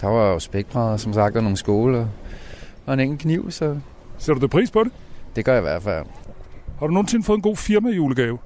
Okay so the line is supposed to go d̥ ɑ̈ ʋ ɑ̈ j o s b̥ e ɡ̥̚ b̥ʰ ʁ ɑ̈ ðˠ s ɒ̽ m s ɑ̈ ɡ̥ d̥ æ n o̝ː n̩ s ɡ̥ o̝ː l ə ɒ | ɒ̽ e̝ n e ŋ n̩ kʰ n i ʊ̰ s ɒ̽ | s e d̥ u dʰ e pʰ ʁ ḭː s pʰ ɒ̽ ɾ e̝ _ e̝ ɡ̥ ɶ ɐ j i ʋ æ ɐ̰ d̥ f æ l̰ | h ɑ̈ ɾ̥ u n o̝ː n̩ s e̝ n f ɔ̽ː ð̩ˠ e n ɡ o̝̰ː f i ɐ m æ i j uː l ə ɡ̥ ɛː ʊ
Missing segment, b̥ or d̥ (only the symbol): d̥